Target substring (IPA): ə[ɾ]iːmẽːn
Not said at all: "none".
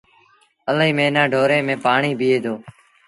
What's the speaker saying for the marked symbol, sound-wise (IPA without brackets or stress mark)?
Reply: l